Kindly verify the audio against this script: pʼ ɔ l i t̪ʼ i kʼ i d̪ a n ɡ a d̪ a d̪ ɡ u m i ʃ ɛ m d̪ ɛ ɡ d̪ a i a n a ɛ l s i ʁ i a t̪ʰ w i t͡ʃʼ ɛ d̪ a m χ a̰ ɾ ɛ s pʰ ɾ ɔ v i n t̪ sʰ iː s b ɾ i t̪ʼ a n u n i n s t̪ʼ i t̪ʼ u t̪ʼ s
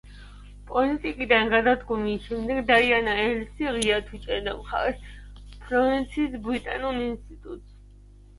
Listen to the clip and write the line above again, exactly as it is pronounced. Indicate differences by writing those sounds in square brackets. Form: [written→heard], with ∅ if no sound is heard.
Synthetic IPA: pʼ ɔ l i t̪ʼ i kʼ i d̪ a n ɡ a d̪ a d̪ ɡ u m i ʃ ɛ m d̪ ɛ ɡ d̪ a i a n a ɛ l s i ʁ i a t̪ʰ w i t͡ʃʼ ɛ d̪ a m χ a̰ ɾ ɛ s pʰ ɾ ɔ v i n t̪ sʰ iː s b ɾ i t̪ʼ a n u n i n s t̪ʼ i t̪ʼ u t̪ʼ s